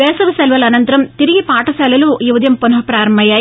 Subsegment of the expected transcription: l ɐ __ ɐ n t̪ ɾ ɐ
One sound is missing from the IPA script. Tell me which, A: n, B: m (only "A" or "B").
A